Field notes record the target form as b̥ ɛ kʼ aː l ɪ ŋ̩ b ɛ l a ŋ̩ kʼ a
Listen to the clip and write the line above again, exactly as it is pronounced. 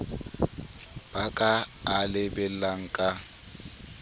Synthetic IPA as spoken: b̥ a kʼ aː l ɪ b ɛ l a ŋ̩ kʼ a